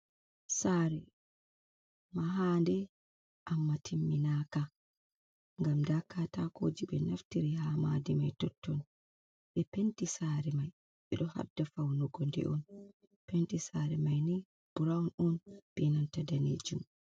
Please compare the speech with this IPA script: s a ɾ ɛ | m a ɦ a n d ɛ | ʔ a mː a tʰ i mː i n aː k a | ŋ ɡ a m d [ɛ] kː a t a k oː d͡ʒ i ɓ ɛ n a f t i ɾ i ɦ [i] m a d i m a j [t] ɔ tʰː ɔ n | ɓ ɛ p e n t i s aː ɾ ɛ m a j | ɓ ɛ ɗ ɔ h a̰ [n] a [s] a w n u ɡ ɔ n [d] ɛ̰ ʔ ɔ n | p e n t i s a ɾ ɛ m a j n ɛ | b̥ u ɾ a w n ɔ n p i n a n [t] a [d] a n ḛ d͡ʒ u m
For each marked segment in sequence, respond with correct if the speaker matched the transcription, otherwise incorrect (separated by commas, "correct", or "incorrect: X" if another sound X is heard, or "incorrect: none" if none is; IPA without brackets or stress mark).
incorrect: a, incorrect: a, correct, incorrect: d, incorrect: f, correct, correct, correct